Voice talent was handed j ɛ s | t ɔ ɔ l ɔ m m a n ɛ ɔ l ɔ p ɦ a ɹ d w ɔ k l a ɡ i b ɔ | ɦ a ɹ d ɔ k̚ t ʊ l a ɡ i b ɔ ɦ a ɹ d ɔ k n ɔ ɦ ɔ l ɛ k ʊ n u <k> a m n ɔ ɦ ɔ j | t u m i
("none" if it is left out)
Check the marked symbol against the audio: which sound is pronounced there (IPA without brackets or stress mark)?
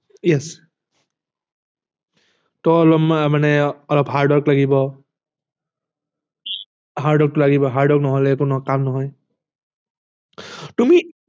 k